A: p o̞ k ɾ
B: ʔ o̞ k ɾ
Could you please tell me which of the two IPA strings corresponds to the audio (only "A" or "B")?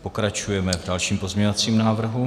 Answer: A